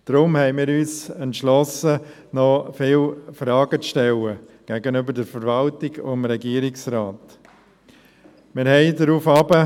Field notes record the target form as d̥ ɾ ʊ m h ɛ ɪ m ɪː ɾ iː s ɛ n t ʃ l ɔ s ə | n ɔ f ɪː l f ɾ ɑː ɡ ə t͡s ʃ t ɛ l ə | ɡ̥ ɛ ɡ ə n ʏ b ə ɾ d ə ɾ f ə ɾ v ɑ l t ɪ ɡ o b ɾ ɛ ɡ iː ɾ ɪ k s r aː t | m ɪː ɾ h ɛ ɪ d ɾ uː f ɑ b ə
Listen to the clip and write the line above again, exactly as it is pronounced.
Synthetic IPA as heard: d̥ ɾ ʊ m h ɛ ɪ m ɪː ɾ yː s ɛ n t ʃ l ɔ s ə | n ɔ f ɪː l f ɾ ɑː ɡ ə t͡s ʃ t ɛ l ə | ɡ̥ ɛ ɡ ə n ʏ b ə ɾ d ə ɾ f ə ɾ v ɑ l t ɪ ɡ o m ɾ ɛ ɡ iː ɾ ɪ k s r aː t | m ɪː ɾ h ɛ ɪ d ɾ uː f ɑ b ə